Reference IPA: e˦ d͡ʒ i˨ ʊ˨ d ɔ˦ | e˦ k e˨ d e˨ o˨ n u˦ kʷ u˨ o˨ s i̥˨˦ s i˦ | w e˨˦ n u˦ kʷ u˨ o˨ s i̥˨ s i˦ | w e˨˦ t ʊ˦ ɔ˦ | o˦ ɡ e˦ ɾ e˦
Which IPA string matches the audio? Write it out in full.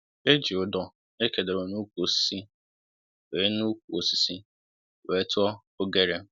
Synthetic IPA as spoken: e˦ d͡ʒ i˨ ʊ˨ d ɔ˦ | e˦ k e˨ d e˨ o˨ n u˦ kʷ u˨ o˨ s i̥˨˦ s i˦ | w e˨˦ n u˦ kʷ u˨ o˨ s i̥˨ s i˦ | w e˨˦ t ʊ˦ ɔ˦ | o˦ ɡ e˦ ɾ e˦